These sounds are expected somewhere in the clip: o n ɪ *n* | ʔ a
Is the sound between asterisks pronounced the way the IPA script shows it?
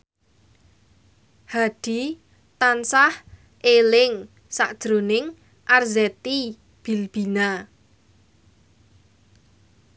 no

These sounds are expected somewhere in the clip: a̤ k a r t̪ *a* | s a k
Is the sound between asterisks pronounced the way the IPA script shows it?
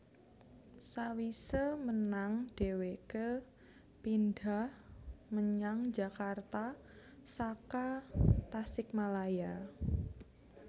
yes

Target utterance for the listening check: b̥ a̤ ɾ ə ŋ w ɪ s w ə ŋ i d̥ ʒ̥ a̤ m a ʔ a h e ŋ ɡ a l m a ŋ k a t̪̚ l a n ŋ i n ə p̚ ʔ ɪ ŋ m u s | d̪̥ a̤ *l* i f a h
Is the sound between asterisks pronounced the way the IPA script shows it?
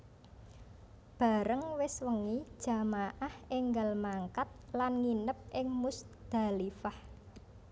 yes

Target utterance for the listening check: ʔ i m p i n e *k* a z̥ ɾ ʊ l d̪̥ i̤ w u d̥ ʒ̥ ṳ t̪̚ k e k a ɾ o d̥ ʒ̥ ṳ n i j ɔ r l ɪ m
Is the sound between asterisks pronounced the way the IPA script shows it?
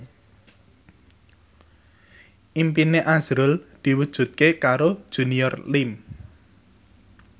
no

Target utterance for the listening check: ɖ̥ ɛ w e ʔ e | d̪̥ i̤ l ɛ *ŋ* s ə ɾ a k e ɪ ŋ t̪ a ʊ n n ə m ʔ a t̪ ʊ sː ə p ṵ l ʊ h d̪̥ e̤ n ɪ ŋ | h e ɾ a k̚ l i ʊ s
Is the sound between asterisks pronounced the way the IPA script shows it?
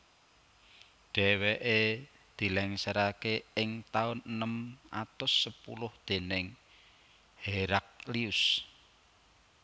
yes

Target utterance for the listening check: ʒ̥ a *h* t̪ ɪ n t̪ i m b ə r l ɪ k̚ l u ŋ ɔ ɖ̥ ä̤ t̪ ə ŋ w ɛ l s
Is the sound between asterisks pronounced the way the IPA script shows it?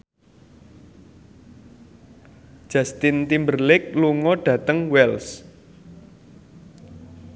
no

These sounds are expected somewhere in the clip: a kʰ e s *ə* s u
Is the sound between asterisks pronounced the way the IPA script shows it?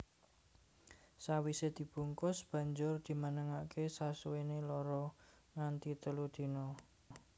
no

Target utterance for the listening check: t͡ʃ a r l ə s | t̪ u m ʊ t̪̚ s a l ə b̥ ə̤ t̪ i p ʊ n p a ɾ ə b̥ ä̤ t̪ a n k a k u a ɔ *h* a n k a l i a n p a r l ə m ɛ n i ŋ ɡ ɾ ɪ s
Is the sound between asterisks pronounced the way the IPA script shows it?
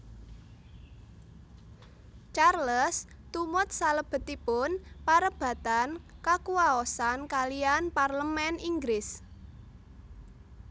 no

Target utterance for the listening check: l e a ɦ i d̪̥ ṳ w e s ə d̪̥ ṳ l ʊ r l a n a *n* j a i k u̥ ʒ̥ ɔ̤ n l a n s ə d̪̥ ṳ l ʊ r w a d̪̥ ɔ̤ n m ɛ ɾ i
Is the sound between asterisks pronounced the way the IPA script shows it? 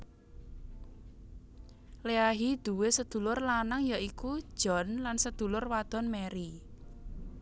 no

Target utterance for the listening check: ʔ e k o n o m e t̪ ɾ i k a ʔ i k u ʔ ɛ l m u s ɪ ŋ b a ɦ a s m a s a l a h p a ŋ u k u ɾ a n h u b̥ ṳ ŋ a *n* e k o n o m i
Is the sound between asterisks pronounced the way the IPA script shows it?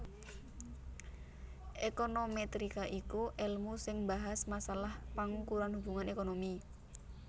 yes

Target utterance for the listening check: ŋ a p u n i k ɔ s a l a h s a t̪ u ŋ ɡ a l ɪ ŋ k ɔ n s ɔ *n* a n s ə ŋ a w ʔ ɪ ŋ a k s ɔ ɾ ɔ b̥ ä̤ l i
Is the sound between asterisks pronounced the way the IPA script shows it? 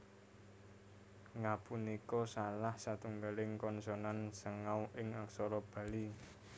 yes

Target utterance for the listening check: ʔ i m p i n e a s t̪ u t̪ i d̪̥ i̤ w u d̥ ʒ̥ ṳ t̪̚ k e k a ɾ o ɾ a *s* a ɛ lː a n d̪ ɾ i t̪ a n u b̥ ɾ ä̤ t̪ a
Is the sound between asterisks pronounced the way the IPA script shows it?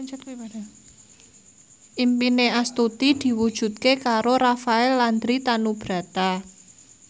no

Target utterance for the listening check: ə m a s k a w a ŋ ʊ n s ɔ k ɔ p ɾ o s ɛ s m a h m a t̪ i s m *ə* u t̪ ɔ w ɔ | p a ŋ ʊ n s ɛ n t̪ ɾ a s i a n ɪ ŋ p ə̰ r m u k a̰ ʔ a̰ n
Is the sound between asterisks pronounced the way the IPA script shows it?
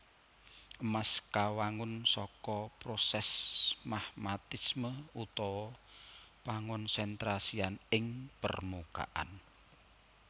yes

